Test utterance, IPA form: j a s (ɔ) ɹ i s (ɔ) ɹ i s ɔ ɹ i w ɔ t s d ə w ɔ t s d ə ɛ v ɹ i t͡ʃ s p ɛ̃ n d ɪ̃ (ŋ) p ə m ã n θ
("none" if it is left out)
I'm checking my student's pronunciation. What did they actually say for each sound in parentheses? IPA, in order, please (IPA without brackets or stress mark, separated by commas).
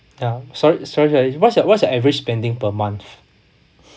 ɔ, ɔ, ŋ